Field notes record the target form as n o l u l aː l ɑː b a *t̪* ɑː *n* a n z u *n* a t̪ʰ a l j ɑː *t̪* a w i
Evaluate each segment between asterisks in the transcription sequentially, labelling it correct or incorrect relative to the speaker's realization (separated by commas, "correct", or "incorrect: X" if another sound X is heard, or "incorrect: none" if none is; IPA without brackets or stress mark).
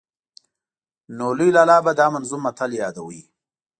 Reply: incorrect: d̪, incorrect: m, incorrect: m, incorrect: d̪